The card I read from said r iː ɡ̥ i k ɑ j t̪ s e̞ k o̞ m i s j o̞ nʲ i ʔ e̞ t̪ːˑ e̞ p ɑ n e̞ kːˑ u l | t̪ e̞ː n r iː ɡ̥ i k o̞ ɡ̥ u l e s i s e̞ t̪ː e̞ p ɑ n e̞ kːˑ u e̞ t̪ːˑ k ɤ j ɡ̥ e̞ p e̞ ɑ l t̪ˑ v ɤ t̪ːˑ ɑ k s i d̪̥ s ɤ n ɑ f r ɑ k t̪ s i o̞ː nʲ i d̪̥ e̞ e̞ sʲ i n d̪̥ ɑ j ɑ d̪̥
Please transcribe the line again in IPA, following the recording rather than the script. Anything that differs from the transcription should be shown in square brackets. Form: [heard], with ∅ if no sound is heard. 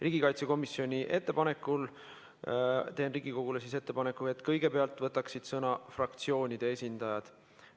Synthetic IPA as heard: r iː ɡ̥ i k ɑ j t̪ s e̞ k o̞ m i s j o̞ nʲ i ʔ e̞ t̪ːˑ e̞ p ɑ n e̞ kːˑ u l | t̪ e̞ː n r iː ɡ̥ i k o̞ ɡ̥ u l e s i s e̞ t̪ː e̞ p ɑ n e̞ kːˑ u e̞ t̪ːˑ k ɤ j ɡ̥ e̞ p e̞ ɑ l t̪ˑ v ɤ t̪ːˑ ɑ k s i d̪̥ s ɤ n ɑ f r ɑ k t̪ s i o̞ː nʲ i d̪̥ e̞ e̞ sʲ i n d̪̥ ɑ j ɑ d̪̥